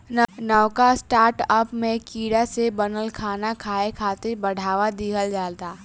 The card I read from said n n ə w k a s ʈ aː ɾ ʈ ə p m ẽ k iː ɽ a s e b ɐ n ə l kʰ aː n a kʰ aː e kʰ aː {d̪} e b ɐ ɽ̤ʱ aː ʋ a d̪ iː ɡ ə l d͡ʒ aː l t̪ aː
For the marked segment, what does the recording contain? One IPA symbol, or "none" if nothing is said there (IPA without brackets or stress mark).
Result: t̪